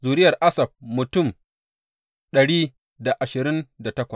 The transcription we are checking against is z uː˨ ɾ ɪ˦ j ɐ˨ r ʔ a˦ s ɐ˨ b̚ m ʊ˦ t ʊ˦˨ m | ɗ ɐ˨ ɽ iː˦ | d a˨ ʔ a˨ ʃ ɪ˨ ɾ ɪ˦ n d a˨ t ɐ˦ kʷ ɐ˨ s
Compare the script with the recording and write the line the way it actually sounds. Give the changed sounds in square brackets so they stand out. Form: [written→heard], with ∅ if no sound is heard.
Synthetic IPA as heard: z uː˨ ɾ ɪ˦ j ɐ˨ r ʔ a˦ s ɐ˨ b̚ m [ʊ˦→ʊ˨] t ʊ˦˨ m | ɗ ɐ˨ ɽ iː˦ | d a˨ ʔ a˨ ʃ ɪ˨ ɾ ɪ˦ n d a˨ t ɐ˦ kʷ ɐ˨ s